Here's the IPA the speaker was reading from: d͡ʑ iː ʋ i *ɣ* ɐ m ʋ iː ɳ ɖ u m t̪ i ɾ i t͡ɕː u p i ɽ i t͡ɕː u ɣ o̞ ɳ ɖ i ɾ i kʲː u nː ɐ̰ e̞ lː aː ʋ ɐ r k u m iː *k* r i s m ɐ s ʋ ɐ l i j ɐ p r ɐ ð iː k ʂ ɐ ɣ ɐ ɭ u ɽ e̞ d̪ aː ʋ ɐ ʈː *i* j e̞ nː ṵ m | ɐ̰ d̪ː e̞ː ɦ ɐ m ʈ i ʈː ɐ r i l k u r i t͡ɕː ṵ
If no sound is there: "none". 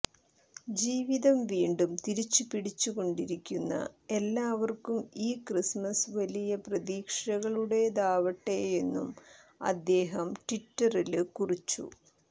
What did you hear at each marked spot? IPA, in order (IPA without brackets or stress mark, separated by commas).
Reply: ð, k, e